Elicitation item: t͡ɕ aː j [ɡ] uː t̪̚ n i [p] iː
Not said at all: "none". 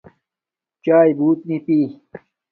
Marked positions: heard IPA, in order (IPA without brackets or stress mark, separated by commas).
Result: b, p